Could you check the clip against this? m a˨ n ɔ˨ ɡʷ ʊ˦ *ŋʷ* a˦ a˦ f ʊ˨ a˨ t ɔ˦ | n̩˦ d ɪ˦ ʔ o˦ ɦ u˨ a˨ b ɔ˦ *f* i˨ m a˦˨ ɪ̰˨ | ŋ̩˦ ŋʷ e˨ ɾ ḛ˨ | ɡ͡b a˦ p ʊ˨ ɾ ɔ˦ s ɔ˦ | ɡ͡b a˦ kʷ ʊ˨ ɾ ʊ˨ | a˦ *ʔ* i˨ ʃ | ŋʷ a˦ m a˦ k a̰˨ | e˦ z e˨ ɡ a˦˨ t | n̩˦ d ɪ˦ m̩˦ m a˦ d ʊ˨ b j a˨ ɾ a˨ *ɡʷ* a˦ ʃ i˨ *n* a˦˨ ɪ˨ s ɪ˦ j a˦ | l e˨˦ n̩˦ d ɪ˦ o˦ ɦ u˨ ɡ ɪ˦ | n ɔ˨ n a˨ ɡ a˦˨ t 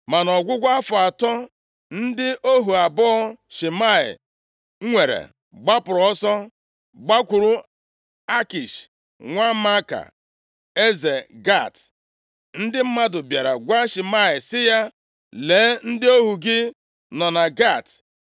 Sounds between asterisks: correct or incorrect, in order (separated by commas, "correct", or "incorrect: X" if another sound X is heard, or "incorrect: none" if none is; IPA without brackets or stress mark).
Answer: incorrect: ɡʷ, incorrect: ʃ, incorrect: k, correct, incorrect: m